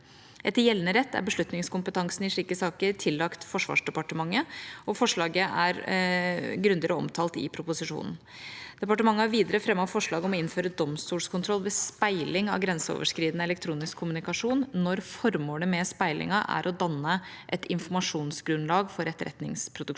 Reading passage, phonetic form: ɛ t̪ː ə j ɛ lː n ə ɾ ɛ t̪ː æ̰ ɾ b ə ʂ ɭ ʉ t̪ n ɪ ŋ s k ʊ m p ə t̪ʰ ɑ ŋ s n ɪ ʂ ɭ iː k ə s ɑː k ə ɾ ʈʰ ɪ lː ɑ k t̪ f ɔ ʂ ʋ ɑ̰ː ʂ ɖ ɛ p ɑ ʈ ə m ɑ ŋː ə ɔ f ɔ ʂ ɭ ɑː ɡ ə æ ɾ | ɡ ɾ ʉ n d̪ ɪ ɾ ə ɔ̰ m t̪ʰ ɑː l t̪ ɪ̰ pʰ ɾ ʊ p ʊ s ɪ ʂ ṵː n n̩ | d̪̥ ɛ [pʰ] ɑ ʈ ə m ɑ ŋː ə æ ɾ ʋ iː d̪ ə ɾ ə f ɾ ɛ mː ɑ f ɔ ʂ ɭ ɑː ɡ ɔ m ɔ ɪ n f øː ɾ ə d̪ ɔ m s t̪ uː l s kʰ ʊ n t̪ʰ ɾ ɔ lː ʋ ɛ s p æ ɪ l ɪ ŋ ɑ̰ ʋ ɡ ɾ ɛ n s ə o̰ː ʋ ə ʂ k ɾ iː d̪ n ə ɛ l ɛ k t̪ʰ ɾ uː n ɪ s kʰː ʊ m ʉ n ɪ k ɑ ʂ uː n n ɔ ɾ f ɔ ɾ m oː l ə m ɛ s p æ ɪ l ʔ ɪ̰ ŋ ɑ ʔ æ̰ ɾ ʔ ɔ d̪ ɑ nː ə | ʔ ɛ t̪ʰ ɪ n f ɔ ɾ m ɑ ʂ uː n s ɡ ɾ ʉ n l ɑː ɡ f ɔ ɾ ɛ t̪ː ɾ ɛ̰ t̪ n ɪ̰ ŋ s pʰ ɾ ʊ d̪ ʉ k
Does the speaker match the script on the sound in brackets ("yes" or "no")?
no